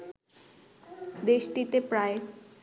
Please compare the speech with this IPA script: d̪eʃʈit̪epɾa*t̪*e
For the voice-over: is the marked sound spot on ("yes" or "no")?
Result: no